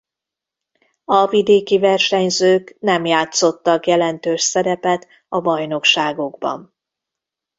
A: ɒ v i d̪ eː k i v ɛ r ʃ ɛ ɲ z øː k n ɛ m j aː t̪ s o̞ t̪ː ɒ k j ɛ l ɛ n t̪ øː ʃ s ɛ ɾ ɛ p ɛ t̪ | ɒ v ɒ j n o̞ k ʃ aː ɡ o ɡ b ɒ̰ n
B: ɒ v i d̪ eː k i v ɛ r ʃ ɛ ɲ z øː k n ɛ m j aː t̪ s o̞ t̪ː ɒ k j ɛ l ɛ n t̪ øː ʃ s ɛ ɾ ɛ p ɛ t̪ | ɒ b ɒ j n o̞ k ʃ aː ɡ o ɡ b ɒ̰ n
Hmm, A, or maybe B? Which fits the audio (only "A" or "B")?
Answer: B